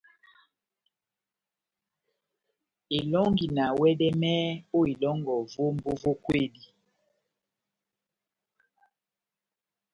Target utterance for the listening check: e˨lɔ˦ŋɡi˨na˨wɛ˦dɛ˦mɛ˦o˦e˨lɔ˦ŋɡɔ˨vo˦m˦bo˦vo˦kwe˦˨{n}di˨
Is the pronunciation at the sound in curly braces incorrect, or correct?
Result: incorrect